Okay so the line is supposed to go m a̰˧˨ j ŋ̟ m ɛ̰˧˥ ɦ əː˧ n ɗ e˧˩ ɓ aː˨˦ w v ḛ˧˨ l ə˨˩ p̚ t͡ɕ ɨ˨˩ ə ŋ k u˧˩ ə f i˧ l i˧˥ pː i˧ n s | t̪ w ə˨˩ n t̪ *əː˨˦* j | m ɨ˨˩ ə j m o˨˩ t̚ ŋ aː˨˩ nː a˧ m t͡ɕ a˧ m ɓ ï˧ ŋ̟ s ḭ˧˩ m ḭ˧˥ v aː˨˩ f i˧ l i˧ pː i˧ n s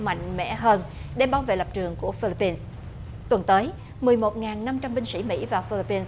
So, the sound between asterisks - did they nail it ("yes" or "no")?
yes